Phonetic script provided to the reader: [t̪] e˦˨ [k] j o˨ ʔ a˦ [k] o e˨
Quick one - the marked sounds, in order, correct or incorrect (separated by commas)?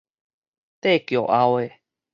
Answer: correct, correct, incorrect